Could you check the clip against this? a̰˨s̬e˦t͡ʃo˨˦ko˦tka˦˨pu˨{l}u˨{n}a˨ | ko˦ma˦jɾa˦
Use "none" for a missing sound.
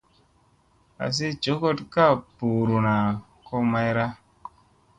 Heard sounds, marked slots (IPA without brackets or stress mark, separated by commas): ɾ, n